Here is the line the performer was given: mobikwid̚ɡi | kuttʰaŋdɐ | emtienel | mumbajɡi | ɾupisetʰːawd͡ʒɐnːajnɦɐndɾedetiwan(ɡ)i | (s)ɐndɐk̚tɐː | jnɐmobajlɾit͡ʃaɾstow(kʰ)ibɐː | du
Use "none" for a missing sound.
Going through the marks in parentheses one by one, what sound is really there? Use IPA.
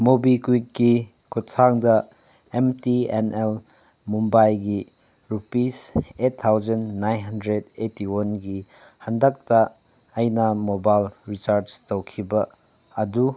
ɡ, h, kʰ

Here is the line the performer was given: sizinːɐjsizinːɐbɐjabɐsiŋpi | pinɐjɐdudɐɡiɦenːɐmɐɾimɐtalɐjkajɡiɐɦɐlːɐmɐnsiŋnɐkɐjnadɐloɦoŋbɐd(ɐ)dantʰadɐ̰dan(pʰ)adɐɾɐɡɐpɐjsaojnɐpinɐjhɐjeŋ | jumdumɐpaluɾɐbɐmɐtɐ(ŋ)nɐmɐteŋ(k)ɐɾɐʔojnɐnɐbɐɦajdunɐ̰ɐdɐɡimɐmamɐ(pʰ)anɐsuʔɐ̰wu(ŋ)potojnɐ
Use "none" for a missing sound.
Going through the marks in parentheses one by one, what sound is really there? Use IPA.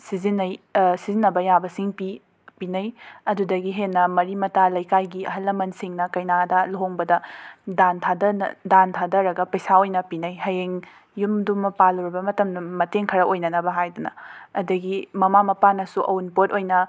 ɐ, tʰ, m, kʰ, p, n

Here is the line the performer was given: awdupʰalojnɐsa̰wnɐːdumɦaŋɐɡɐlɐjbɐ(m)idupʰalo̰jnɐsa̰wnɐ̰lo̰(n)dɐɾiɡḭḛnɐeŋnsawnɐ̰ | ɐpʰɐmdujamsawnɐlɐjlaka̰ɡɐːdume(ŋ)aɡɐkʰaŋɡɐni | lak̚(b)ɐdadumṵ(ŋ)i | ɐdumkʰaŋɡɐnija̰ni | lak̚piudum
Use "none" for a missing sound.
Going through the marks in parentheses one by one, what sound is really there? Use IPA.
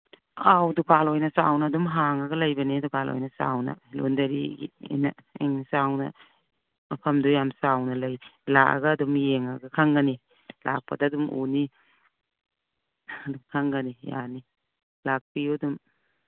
n, n, ŋ, p, n

